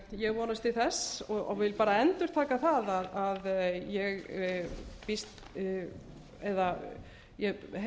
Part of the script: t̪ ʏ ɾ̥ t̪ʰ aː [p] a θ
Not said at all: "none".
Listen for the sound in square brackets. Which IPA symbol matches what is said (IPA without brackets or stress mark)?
k